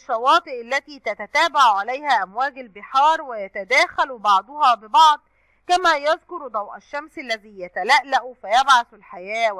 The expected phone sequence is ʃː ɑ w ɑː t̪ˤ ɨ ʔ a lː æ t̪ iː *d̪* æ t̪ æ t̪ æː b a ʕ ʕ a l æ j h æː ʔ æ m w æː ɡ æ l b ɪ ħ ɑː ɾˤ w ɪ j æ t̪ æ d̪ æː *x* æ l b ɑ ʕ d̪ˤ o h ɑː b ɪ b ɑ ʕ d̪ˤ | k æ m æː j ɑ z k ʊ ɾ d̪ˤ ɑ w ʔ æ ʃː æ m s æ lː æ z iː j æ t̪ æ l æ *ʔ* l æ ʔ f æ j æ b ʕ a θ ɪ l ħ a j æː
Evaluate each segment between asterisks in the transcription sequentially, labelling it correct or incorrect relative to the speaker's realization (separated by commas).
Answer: incorrect, correct, correct